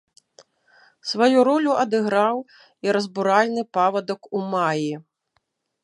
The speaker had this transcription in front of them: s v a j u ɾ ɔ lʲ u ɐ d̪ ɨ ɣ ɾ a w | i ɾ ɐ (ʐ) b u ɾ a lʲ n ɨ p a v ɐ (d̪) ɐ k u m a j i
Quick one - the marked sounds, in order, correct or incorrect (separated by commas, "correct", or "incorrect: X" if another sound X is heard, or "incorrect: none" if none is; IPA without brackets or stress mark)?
incorrect: z, correct